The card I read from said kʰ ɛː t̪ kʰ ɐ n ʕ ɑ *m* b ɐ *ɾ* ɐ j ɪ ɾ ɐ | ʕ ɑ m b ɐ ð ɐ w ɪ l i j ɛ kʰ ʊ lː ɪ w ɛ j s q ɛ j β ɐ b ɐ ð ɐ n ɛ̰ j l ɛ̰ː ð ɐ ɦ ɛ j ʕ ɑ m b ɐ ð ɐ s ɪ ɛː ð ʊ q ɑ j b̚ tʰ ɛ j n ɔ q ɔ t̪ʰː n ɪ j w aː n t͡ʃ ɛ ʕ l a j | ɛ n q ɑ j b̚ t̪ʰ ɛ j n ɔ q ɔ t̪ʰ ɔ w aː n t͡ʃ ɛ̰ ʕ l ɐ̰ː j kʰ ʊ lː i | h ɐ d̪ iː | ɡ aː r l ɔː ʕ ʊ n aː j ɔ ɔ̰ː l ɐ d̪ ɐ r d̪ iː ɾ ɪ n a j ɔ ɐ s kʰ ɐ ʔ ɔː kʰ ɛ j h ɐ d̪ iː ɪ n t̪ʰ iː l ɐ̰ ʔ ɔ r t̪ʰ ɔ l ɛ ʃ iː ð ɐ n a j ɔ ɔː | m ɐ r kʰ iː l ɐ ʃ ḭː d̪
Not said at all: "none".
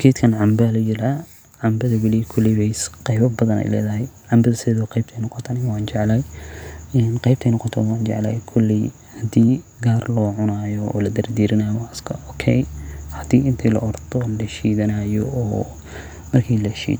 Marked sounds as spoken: m, l

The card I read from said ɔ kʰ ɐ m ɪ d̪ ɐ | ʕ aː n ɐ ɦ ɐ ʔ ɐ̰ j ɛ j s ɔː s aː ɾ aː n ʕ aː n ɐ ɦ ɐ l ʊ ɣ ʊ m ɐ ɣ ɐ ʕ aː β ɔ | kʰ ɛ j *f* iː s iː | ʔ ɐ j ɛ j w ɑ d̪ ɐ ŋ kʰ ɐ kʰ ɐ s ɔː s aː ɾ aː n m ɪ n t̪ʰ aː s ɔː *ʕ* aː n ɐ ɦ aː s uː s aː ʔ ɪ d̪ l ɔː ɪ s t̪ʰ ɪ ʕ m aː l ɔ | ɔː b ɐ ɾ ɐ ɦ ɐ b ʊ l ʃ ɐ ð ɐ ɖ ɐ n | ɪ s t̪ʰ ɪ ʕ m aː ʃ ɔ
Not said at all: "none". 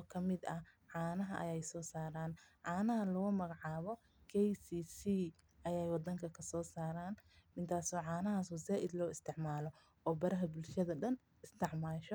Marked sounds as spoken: s, ʕ

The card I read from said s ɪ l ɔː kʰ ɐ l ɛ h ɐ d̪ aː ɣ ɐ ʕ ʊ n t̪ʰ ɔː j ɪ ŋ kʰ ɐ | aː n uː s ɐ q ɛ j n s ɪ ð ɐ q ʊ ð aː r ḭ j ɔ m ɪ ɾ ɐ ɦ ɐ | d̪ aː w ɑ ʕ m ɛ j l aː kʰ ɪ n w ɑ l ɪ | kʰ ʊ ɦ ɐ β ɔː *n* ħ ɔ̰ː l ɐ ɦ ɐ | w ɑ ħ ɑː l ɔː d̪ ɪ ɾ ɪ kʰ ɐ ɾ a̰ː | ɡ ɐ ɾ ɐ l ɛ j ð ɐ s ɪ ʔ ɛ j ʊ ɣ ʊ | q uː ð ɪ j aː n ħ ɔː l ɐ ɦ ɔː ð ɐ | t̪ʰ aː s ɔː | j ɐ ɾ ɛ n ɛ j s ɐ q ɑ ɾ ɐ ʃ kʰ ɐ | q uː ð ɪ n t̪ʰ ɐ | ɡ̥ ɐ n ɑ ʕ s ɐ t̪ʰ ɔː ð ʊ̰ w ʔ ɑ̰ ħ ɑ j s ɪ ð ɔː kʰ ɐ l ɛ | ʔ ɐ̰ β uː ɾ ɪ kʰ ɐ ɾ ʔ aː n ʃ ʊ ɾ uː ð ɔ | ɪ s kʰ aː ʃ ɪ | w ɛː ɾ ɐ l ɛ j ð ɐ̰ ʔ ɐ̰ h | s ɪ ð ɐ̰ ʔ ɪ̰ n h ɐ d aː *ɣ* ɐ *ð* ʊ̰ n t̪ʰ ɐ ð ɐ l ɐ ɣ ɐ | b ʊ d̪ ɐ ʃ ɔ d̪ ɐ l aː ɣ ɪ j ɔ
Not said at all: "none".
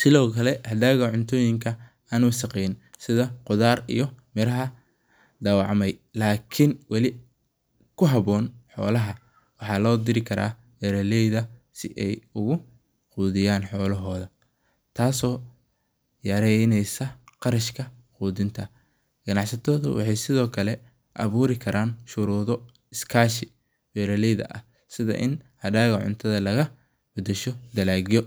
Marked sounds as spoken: n, ɣ, ʕ

